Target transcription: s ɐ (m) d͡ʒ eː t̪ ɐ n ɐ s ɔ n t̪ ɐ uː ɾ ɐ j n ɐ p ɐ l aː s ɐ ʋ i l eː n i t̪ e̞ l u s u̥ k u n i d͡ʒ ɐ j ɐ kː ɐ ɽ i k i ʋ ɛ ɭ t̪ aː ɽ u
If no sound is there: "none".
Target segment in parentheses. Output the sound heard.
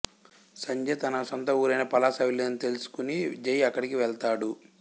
ɲ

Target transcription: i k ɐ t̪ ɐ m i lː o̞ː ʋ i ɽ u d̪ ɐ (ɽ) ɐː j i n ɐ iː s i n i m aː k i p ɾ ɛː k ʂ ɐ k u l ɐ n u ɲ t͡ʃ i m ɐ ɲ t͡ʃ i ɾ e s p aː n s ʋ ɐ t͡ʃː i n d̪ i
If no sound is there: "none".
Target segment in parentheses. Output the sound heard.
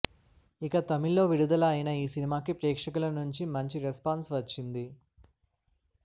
l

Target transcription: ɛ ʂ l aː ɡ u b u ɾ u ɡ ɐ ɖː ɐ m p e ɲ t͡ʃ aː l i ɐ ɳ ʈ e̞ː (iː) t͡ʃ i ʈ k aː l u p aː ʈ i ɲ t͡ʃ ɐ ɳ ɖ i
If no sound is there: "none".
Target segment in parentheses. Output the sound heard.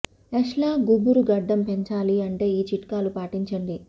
iː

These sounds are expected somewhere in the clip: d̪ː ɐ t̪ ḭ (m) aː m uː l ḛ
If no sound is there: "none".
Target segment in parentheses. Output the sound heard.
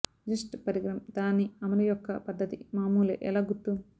m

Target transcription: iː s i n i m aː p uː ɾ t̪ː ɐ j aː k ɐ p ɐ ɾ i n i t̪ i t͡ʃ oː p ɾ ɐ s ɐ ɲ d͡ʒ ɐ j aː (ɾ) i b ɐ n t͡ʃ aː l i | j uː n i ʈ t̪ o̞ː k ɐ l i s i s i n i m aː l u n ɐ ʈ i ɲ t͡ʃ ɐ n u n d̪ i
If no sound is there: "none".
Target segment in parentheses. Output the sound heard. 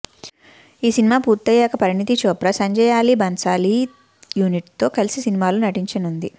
l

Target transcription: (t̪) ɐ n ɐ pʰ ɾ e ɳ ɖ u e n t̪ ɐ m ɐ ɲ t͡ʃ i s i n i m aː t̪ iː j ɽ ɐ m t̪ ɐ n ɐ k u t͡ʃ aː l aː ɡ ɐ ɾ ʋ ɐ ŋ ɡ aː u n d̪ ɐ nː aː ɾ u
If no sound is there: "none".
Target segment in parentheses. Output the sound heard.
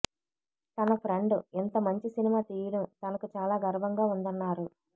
t̪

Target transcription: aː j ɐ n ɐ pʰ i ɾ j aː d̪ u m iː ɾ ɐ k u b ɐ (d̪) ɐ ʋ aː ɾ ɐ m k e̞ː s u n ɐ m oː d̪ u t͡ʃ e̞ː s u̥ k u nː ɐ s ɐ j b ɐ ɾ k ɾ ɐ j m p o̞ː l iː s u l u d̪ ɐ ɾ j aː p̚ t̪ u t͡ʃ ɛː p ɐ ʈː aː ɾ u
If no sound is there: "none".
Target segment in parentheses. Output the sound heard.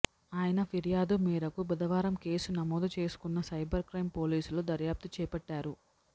d̪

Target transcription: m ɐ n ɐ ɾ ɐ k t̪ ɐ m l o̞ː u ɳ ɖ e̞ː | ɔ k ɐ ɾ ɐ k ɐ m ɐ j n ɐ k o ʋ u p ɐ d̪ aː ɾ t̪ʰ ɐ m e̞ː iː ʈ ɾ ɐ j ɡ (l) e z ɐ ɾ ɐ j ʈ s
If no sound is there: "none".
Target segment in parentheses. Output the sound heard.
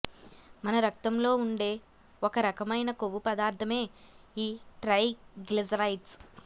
l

